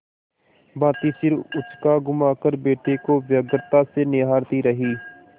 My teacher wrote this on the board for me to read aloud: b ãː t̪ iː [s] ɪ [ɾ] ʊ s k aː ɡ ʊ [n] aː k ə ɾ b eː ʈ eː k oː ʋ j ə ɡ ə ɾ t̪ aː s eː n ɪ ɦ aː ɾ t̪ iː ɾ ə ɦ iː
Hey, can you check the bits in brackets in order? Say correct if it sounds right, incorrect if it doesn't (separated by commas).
correct, correct, incorrect